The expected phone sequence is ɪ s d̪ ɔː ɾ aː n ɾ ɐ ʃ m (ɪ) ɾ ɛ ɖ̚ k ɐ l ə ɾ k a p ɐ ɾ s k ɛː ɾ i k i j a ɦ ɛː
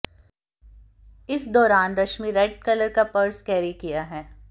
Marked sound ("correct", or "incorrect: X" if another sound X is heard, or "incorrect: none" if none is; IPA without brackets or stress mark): incorrect: i